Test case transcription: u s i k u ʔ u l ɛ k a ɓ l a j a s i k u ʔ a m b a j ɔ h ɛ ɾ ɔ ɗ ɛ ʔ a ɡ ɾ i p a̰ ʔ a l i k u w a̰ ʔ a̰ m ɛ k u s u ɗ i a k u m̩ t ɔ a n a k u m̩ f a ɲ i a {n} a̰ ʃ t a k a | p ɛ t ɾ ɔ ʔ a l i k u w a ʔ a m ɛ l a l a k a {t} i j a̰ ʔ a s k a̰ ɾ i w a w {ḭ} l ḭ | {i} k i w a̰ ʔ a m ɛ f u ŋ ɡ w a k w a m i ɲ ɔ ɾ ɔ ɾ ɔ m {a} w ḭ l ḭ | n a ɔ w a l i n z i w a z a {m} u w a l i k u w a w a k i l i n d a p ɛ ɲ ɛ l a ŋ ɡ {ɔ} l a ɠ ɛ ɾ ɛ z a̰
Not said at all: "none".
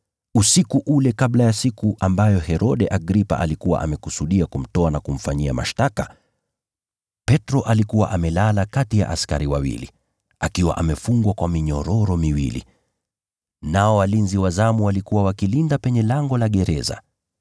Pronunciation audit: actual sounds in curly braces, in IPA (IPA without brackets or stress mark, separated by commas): m, t, ḭ, a, i, m, ɔ